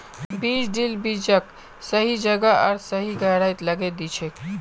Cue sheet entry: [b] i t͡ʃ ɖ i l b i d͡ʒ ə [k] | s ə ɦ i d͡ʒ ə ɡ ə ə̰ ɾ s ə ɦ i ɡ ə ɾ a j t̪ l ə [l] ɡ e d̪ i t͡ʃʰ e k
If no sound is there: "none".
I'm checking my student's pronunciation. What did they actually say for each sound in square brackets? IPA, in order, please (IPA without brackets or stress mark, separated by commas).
b, k, none